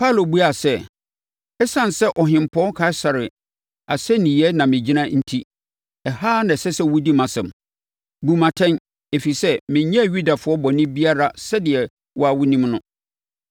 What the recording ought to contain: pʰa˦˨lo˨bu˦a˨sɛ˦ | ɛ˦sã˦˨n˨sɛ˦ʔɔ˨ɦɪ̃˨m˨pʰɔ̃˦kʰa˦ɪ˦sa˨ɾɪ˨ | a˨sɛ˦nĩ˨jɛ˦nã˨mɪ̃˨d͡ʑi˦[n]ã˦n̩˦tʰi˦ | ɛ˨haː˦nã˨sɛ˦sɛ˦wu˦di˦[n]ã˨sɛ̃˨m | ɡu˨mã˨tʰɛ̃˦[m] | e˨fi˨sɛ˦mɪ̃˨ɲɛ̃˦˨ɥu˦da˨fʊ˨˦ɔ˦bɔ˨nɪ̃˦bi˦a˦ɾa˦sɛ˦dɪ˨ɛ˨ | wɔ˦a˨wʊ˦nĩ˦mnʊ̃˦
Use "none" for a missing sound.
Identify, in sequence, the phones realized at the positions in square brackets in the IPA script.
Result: n, m, n

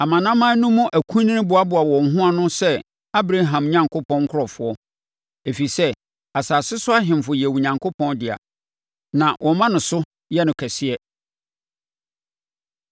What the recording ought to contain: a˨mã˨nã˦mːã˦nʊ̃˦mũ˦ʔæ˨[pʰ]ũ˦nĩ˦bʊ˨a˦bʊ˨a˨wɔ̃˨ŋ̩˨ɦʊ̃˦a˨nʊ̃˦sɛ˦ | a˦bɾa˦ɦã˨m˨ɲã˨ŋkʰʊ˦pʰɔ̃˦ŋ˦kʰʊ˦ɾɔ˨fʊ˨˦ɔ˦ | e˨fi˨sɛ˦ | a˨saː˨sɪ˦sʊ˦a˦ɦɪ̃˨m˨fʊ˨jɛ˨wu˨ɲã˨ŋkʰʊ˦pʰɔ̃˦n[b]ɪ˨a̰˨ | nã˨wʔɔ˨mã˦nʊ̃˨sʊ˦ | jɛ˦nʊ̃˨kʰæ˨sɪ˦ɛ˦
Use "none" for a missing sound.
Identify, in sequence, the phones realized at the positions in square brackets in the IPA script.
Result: kʰ, d

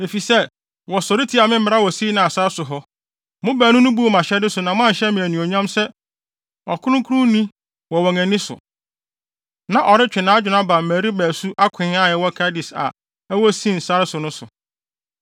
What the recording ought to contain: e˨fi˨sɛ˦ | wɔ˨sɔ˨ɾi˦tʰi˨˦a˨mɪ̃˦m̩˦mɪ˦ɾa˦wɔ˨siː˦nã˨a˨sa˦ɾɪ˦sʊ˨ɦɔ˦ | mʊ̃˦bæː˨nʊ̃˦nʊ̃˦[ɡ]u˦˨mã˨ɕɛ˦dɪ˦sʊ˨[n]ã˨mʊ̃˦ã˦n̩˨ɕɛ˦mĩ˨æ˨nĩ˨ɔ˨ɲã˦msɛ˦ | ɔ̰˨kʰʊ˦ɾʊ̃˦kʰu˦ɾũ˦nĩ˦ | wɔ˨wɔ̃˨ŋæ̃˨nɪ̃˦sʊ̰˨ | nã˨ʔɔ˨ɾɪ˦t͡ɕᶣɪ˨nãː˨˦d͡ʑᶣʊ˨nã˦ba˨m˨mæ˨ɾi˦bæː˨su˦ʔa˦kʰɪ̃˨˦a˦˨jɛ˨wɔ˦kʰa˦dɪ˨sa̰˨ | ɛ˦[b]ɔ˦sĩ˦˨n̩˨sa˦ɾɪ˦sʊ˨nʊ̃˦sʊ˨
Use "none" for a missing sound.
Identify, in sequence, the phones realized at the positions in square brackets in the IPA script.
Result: b, n, w

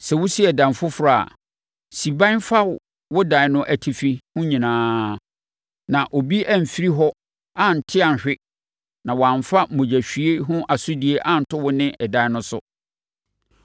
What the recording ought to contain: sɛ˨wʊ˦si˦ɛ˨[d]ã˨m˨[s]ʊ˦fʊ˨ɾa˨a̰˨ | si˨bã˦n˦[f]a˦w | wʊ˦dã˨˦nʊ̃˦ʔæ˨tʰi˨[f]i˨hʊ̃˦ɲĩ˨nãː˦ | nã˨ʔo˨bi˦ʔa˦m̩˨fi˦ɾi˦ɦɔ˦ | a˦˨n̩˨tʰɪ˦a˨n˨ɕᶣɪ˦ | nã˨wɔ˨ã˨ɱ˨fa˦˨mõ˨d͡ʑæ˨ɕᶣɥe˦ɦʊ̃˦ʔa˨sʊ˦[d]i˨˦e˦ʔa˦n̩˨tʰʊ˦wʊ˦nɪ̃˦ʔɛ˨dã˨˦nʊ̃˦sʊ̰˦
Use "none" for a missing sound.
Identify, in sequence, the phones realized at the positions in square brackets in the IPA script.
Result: d, f, f, f, d

